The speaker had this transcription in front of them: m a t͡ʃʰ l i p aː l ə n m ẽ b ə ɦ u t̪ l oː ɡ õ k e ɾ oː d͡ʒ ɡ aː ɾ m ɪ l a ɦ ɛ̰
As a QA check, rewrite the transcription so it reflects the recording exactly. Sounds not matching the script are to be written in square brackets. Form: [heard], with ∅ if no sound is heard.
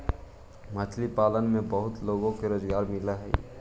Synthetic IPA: m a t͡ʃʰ l i p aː l ə n m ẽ b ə ɦ [ʊ] t̪ l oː ɡ õ k e ɾ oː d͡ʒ ɡ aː ɾ m ɪ l a ɦ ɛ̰